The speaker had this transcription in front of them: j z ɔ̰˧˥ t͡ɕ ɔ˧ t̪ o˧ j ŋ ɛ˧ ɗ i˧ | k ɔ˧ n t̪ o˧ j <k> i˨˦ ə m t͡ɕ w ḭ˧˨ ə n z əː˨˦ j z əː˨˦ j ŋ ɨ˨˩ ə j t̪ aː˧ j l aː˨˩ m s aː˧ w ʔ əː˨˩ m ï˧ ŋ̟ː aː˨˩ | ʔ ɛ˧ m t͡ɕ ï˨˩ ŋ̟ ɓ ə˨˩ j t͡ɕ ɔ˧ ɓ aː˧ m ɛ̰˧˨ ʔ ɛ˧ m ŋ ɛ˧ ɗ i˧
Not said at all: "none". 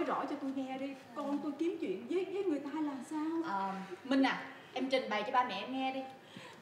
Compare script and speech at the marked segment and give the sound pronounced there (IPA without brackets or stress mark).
k